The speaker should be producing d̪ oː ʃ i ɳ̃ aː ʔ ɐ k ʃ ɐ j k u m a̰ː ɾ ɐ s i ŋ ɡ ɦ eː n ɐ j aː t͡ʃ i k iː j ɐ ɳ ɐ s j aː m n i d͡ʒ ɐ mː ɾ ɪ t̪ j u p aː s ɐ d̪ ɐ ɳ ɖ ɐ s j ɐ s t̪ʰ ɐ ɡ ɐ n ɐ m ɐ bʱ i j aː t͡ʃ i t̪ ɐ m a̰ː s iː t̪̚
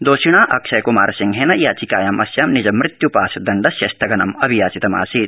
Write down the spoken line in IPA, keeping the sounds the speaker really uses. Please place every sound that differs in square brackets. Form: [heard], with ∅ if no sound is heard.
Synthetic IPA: d̪ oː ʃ i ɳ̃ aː ʔ ɐ k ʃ ɐ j k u m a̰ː ɾ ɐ s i ŋ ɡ ɦ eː n ɐ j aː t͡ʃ i k [aː] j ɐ [m] ɐ s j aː m n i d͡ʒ ɐ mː ɾ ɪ t̪ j u p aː s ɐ d̪ ɐ ɳ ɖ ɐ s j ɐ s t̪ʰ ɐ ɡ ɐ n ɐ m ɐ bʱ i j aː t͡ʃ i t̪ ɐ m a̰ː s iː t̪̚

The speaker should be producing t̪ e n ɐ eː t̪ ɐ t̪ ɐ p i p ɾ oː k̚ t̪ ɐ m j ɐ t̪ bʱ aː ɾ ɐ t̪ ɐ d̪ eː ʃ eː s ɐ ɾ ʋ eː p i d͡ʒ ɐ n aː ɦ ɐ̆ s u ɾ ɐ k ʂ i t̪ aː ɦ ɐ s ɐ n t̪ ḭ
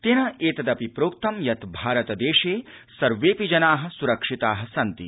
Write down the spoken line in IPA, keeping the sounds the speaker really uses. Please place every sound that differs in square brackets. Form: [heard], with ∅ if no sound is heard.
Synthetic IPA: t̪ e n ɐ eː t̪ ɐ [d̪] ɐ p i p ɾ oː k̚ t̪ ɐ m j ɐ t̪ bʱ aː ɾ ɐ t̪ ɐ d̪ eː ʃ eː s ɐ ɾ ʋ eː p i d͡ʒ ɐ n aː ɦ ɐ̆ s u ɾ ɐ k ʂ i t̪ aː ɦ ɐ s ɐ n t̪ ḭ

